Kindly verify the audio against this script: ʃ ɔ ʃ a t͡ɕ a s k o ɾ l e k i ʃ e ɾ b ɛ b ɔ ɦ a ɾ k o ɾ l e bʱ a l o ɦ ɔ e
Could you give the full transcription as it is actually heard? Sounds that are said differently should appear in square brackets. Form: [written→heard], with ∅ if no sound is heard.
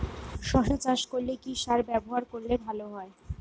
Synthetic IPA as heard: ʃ ɔ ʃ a t͡ɕ a [s→ʃ] k o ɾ l e k i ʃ [e→a] ɾ b ɛ b [ɔ→o] ɦ a ɾ k o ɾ l e bʱ a l o ɦ ɔ e